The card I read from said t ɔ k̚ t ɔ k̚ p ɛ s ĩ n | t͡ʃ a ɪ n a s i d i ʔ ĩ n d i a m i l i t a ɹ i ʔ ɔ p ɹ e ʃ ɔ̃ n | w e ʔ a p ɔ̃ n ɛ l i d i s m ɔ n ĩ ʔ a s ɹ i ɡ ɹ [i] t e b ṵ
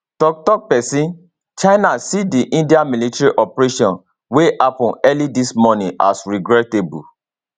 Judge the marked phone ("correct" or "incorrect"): incorrect